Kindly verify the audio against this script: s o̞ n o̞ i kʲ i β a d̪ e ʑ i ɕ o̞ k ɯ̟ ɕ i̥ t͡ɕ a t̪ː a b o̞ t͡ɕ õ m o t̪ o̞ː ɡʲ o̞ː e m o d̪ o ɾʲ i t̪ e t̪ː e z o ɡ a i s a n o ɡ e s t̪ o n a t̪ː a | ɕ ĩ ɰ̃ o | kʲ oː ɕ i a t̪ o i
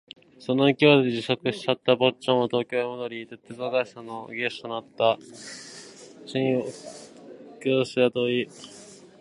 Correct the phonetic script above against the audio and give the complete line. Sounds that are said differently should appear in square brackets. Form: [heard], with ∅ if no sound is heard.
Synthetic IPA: s o̞ n o̞ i kʲ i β a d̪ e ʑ i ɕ o̞ k ɯ̟ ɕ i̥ t͡ɕ a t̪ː a b o̞ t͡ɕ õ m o t̪ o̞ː [kʲ] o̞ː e m o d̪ o ɾʲ i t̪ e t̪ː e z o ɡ a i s a n o ɡ e s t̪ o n a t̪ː a | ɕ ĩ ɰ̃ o | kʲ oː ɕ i a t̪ o i